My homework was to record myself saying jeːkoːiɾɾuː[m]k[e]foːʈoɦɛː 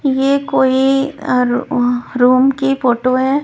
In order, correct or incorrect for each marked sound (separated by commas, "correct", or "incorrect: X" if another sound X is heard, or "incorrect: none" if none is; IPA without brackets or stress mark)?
correct, incorrect: i